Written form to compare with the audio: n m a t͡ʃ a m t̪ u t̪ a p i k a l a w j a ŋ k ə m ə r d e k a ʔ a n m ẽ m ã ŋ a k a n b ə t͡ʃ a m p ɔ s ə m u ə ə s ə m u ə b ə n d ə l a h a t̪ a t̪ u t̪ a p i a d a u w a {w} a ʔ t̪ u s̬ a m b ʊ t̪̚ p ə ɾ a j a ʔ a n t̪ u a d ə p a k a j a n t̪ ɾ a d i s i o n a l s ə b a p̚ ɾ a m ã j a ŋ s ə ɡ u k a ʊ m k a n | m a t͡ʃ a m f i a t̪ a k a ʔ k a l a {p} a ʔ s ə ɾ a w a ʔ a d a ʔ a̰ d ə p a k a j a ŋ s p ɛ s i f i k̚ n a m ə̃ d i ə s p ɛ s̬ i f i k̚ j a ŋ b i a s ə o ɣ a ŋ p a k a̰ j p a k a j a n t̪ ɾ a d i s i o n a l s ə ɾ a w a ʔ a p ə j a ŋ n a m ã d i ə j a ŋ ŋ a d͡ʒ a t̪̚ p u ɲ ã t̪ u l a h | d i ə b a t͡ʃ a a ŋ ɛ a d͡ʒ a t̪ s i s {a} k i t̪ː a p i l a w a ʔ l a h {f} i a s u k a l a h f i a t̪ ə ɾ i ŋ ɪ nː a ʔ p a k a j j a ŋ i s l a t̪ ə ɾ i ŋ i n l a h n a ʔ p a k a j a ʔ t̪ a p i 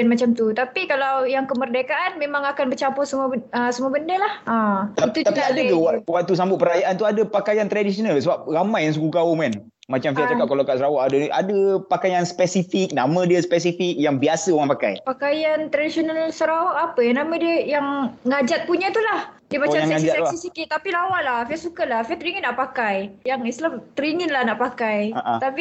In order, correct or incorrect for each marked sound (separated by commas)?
correct, incorrect, incorrect, correct